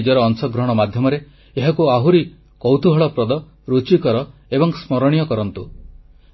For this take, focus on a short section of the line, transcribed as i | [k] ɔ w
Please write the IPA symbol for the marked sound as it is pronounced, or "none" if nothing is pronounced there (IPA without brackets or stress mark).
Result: k